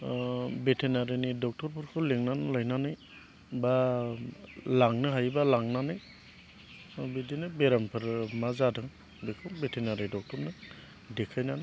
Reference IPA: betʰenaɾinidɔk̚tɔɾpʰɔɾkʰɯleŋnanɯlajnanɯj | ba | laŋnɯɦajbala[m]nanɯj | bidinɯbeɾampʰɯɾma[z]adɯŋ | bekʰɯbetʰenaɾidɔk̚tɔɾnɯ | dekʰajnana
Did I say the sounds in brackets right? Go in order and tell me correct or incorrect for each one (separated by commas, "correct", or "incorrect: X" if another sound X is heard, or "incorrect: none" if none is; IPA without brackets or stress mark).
incorrect: ŋ, correct